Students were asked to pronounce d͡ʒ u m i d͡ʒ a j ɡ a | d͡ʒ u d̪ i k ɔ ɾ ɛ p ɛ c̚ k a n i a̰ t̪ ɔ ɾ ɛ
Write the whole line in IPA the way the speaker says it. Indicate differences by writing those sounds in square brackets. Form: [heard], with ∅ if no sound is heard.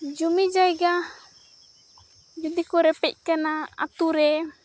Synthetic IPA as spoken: d͡ʒ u m i d͡ʒ a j ɡ a | d͡ʒ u d̪ i k ɔ ɾ ɛ p ɛ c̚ k a n [a] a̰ t̪ [u] ɾ ɛ